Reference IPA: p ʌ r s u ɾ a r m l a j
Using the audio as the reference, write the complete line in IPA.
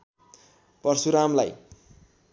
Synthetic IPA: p ʌ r s u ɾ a m l a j